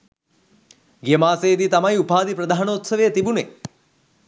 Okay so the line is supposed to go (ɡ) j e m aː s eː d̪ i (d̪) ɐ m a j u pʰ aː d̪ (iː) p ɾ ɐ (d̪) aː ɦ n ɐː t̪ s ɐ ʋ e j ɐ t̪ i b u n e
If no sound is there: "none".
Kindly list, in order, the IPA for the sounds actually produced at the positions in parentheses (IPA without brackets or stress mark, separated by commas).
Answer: ɡ, t̪, i, d̪